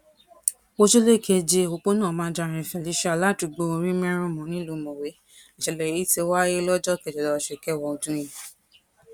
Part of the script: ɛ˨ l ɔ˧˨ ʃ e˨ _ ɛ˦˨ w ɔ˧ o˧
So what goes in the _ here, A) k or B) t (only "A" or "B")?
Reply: A